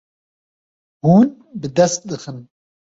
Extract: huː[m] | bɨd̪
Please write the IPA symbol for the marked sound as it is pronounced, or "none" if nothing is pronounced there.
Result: n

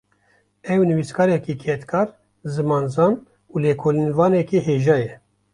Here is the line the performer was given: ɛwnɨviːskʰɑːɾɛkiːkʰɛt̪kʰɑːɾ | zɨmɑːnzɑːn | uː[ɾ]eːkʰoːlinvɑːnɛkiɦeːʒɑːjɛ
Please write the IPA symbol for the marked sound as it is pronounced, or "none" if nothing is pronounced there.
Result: l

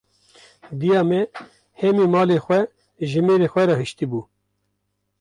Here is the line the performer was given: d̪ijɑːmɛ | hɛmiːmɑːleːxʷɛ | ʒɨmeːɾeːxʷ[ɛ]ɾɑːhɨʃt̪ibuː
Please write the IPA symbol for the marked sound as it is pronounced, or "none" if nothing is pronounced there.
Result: ɛ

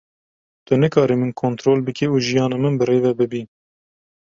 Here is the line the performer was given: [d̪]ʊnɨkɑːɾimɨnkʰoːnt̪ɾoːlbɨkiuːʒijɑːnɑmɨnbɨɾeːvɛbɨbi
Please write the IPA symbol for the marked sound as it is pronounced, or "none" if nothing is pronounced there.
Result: t̪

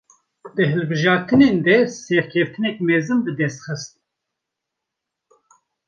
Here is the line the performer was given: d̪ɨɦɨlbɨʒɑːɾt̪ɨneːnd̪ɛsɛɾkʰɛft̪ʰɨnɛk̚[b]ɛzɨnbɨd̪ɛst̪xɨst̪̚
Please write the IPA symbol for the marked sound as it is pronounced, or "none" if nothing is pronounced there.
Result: m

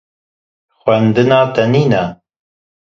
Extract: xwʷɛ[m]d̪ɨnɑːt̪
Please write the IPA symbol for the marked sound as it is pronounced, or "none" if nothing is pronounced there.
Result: n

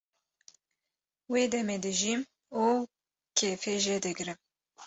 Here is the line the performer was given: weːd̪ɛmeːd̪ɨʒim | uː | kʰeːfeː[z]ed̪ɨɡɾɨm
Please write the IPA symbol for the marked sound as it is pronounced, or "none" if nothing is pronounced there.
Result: ʒ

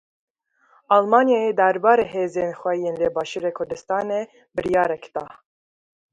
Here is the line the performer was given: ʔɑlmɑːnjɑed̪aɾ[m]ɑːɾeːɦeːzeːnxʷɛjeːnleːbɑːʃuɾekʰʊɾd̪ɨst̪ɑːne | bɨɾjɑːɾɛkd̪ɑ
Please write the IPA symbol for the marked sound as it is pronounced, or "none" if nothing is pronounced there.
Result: b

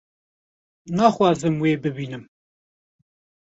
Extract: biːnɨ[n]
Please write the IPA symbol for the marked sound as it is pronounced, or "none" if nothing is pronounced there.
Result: m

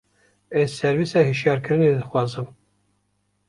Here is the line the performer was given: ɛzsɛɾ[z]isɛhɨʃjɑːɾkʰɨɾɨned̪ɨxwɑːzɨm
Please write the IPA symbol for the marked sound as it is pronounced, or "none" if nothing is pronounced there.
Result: v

